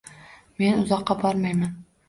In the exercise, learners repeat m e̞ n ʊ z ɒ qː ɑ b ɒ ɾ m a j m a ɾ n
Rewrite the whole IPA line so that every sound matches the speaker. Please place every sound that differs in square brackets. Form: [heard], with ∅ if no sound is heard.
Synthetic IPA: m e̞ n ʊ z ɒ qː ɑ b ɒ ɾ m a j m a [∅] n